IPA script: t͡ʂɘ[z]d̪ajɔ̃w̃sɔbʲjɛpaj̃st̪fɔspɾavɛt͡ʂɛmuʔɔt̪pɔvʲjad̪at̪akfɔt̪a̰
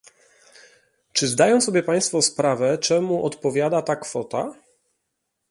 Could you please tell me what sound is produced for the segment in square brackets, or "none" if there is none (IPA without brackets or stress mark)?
z